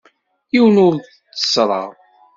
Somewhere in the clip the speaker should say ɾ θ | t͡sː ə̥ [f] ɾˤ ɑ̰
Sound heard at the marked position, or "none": s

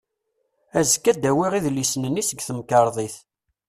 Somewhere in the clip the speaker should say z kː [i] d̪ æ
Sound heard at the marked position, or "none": æ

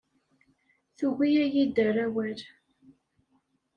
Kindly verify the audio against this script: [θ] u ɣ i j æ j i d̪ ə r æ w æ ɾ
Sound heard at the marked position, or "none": θ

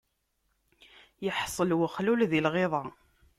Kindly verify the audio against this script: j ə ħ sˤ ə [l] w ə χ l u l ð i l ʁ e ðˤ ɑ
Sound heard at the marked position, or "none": l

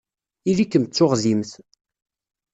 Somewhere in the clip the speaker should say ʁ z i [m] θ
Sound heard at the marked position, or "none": m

